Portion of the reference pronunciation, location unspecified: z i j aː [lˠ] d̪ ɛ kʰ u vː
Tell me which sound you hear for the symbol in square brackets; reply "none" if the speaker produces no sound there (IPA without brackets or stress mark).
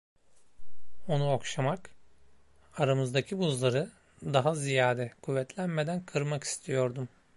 none